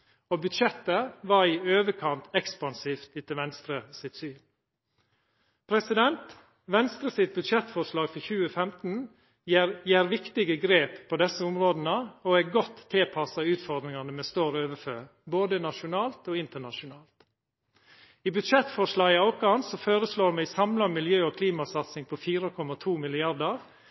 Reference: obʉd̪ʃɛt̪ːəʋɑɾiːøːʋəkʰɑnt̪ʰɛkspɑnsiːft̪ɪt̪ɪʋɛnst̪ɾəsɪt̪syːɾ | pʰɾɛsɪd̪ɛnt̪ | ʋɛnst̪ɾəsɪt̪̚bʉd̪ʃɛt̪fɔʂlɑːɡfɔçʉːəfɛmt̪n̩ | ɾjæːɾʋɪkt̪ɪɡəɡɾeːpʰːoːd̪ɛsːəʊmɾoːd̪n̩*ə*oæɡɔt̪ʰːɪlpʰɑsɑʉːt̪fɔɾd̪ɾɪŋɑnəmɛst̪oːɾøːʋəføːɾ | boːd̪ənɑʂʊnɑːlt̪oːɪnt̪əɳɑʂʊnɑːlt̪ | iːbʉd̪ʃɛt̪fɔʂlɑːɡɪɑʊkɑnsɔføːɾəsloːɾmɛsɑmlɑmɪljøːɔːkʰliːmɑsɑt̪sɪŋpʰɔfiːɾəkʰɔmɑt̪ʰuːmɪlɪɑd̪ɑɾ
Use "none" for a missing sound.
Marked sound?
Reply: ə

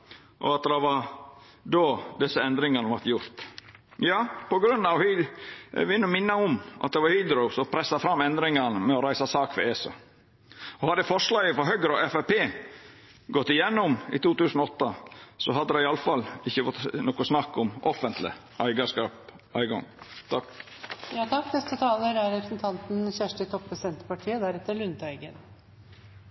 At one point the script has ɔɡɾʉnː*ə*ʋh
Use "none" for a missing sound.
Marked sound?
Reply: ɑ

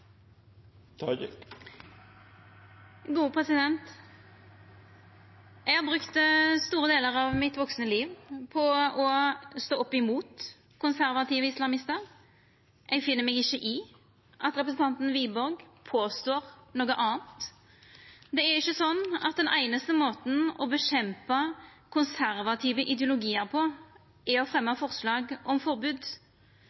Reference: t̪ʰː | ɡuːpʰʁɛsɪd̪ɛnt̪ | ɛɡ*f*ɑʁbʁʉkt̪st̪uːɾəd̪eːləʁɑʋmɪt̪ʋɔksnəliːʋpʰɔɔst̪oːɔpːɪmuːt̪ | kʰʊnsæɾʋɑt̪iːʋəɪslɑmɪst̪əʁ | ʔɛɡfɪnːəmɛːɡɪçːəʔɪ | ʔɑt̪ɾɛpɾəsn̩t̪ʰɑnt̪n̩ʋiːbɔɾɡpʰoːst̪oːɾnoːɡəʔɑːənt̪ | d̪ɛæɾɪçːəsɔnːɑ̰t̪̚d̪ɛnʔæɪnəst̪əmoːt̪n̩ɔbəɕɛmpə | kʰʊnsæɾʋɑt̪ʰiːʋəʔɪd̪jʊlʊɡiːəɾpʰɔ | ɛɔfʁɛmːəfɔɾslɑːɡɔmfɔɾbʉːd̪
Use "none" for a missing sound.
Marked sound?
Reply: h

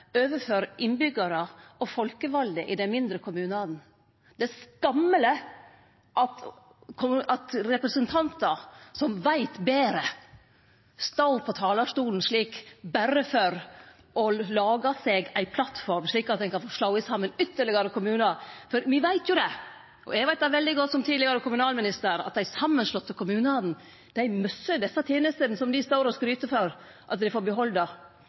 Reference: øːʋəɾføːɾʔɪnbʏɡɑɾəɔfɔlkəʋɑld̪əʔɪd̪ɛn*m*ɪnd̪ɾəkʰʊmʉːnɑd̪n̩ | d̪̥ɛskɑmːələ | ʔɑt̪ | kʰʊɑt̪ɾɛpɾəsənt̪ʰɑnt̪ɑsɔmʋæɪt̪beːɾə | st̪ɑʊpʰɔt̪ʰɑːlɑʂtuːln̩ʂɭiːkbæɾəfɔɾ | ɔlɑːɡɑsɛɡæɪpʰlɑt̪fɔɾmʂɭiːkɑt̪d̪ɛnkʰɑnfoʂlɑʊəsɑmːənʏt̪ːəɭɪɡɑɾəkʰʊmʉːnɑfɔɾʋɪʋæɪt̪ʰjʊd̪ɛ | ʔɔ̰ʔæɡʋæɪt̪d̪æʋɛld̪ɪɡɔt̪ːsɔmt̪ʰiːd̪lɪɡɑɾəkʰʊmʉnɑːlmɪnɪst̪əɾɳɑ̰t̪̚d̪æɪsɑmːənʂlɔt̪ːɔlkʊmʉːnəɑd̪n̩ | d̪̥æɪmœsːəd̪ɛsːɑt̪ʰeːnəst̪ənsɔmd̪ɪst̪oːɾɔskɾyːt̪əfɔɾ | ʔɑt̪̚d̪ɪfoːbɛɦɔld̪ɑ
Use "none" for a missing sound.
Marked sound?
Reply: m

